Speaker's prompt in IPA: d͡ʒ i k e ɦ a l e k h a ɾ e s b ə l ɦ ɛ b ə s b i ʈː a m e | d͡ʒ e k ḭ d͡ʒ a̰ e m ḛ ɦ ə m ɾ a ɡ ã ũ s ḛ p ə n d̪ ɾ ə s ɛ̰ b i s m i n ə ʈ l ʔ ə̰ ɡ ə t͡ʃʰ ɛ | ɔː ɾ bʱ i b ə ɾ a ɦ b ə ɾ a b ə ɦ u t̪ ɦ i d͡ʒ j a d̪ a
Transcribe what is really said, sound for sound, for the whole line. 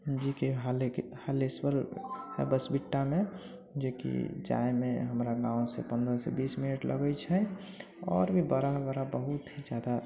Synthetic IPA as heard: d͡ʒ i k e ɦ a l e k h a l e s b ə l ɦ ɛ b ə s b i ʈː a m e | d͡ʒ e k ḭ d͡ʒ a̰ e m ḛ ɦ ə m ɾ a ɡ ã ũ s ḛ p ə n d̪ ɾ ə s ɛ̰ b i s m i n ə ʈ l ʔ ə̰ ɡ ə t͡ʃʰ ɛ | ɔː ɾ bʱ i b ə ɾ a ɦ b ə ɾ a b ə ɦ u t̪ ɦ i d͡ʒ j a d̪ a